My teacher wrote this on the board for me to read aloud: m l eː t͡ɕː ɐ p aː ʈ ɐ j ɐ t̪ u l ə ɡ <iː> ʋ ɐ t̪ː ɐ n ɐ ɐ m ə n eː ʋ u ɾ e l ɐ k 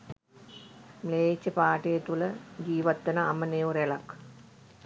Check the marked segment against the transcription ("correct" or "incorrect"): correct